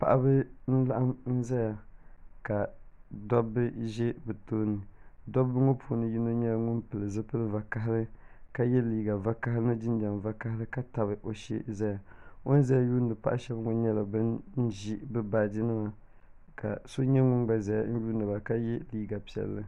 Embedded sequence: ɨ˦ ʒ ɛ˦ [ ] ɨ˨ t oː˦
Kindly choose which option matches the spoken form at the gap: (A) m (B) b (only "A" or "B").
B